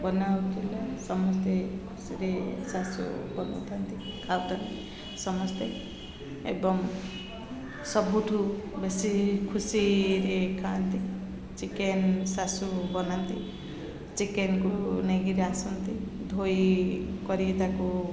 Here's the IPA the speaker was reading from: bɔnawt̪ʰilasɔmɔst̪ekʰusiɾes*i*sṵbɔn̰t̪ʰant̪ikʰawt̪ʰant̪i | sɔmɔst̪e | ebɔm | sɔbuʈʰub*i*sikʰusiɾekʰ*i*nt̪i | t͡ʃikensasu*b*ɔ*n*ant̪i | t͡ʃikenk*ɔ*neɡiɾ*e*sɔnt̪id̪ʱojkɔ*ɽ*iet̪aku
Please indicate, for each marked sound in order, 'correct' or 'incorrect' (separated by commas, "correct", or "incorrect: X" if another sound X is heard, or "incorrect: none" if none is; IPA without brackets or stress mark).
incorrect: a, incorrect: e, incorrect: a, correct, correct, incorrect: u, incorrect: a, incorrect: ɾ